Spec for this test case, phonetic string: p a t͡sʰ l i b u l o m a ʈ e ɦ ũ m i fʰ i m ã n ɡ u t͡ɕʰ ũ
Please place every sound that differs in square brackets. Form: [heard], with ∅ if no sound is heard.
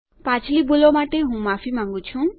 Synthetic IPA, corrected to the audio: p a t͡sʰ l i b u l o m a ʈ e ɦ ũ m [a] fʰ i m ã [ŋ] ɡ u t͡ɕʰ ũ